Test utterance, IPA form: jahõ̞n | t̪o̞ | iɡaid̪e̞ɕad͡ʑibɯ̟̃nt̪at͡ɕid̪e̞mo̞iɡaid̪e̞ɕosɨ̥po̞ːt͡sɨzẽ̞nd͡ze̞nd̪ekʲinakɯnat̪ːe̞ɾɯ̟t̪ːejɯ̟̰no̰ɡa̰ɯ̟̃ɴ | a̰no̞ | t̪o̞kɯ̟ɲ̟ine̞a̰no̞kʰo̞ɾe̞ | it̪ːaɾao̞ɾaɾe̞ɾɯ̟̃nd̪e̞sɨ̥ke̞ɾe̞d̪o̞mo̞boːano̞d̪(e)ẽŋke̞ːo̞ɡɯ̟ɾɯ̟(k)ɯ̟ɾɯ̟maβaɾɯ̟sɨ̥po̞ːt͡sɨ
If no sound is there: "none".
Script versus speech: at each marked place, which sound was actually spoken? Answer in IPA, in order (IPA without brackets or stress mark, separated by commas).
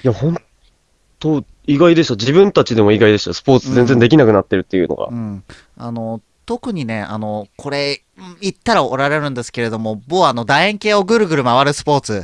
a, ɡ